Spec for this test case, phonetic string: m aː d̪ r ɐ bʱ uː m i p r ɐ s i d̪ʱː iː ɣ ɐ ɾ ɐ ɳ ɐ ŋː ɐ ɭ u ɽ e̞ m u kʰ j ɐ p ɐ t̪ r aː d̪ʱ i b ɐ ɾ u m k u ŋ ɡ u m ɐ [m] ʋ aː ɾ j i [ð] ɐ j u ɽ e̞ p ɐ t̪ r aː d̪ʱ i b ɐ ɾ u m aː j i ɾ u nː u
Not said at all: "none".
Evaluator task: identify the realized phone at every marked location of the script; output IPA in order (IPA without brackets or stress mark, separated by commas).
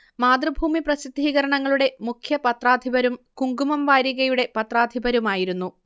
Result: m, ɣ